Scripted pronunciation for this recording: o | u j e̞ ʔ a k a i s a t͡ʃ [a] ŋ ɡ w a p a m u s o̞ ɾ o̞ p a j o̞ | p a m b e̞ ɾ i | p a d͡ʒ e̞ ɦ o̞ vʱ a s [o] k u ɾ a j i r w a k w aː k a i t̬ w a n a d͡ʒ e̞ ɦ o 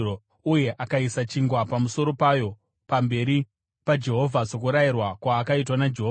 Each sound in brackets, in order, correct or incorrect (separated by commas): incorrect, correct